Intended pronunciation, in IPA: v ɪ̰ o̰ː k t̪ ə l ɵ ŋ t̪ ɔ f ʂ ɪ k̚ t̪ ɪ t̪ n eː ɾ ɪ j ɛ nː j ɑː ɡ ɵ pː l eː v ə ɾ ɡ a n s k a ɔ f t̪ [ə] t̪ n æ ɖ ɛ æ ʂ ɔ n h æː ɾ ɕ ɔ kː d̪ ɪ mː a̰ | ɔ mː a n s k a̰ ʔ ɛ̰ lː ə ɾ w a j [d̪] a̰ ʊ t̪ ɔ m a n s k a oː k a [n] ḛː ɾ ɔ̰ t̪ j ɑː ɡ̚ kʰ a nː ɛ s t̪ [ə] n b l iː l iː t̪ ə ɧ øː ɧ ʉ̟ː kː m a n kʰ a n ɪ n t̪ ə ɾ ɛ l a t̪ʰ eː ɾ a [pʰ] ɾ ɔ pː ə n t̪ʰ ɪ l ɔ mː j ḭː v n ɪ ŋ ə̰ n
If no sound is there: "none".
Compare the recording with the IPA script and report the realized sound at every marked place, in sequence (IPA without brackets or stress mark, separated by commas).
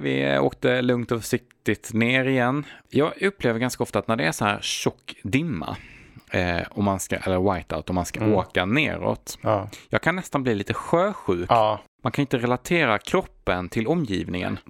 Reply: a, t̪, n, a, kʰ